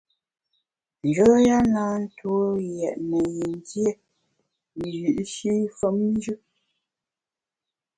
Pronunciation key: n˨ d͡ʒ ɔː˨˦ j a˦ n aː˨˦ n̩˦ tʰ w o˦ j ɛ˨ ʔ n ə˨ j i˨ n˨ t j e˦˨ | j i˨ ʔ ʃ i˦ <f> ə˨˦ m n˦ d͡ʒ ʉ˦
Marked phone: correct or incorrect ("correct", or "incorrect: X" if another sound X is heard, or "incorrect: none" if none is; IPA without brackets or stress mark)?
correct